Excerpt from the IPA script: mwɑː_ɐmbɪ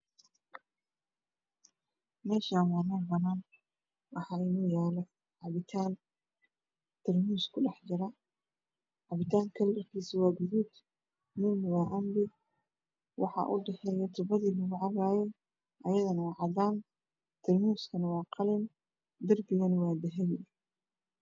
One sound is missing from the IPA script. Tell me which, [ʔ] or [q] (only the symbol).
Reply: ʔ